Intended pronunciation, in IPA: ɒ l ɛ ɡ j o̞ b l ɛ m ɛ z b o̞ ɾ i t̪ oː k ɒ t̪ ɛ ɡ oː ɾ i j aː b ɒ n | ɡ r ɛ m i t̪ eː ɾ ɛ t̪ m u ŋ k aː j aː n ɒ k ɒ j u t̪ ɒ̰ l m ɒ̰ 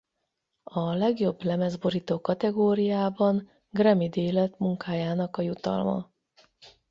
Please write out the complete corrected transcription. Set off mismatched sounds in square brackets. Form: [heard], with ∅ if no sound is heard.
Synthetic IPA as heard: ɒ l ɛ ɡ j o̞ b l ɛ m ɛ z b o̞ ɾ i t̪ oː k ɒ t̪ ɛ ɡ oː ɾ i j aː b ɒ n | ɡ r ɛ m i [d̪] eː [l] ɛ t̪ m u ŋ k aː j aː n ɒ k ɒ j u t̪ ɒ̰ l m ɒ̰